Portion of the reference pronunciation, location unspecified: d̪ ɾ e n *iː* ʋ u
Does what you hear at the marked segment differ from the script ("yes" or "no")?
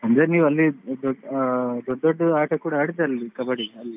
no